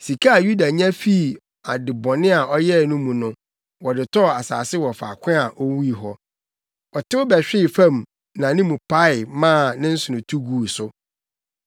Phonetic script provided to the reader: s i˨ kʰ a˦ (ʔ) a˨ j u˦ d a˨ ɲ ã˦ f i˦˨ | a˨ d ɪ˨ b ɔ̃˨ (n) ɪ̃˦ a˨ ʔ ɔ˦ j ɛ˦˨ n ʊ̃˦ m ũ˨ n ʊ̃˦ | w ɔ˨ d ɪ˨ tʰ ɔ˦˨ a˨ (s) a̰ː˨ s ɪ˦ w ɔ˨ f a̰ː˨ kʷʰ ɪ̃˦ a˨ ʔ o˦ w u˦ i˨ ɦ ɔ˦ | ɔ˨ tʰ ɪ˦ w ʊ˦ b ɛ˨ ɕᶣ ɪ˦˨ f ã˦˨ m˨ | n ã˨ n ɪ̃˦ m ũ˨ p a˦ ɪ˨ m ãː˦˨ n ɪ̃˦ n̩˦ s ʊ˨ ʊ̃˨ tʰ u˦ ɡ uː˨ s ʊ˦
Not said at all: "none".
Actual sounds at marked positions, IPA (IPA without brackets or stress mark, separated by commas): none, n, s